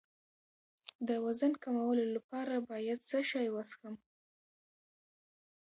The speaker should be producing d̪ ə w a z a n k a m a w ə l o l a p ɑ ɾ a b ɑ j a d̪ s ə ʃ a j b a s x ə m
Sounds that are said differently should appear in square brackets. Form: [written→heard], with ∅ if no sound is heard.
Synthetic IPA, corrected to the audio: d̪ ə w a z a n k a m a w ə l o l a p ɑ ɾ a b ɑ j a d̪ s ə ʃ [a→ɑ] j [b→w] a s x ə m